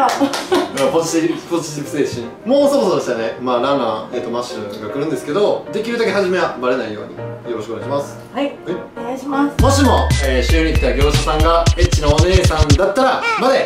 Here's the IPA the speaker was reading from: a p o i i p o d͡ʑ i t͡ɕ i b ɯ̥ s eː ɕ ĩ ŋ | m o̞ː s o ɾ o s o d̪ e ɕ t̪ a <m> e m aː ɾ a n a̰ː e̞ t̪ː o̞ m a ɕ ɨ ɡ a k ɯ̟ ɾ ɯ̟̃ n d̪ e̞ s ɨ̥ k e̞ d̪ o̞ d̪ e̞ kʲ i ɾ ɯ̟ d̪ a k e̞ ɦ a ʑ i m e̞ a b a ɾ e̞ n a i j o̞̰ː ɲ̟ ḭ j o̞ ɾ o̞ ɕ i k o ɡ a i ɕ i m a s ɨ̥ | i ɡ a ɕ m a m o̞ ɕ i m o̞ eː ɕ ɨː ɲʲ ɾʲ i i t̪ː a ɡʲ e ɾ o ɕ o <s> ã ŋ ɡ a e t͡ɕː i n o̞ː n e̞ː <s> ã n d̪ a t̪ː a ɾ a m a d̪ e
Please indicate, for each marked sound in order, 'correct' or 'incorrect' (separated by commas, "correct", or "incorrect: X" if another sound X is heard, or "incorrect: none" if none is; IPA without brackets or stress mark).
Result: incorrect: n, correct, correct